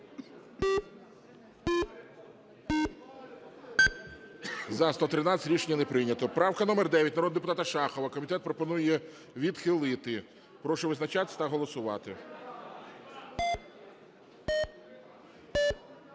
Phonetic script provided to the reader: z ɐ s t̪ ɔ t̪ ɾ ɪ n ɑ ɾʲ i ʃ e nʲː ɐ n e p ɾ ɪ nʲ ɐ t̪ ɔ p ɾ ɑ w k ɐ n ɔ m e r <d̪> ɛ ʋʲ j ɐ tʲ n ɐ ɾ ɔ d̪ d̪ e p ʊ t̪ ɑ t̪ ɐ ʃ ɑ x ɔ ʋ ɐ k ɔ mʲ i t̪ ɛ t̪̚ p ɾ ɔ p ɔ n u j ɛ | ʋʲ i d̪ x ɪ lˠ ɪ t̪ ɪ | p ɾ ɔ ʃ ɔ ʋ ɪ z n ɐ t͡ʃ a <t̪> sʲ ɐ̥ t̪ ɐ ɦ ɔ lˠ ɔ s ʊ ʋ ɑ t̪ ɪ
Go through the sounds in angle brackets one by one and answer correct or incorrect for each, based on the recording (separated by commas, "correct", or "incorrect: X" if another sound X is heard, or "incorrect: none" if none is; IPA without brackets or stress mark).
correct, correct